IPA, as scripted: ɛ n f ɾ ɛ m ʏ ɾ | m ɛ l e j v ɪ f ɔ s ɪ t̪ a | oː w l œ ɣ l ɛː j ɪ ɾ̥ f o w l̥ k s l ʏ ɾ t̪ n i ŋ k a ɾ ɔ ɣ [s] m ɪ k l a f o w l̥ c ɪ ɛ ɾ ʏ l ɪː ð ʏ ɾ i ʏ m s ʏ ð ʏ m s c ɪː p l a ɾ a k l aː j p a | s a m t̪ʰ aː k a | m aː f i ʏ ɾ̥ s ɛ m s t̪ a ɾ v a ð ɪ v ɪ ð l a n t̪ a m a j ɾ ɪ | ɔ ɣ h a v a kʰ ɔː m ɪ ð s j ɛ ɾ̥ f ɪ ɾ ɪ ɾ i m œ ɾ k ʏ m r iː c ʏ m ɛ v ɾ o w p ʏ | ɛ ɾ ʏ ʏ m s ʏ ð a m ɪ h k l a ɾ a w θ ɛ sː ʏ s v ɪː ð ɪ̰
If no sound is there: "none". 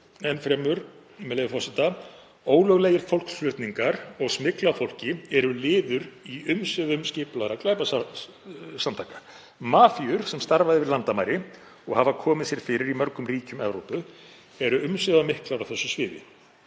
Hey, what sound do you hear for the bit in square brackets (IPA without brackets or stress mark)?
s